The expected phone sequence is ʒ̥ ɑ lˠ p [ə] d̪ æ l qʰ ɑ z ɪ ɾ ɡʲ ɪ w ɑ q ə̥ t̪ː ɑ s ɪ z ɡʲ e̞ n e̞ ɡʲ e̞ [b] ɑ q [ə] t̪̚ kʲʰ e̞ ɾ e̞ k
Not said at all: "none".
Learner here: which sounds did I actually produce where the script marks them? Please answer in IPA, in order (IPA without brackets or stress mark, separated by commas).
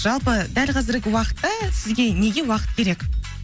ə, w, ə